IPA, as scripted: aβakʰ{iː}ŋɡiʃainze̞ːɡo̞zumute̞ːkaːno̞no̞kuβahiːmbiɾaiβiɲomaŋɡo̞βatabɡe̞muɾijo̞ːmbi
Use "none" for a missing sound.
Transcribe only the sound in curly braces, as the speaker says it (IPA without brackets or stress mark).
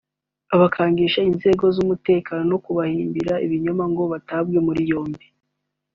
aː